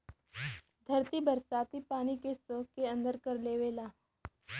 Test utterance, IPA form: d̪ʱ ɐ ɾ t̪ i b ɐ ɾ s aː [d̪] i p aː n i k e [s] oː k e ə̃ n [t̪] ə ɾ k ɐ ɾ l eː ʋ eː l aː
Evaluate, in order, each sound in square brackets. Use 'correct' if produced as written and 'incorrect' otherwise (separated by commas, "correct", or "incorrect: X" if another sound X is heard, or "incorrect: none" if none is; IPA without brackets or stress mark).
incorrect: t̪, correct, incorrect: d̪